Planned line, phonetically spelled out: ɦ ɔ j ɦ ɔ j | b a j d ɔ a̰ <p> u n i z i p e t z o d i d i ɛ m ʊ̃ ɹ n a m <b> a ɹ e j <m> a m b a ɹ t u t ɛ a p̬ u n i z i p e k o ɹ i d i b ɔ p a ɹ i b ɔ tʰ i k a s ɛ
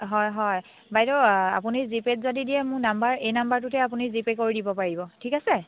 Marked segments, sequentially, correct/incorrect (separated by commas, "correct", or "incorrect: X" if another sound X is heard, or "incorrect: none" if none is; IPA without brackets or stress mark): correct, correct, incorrect: n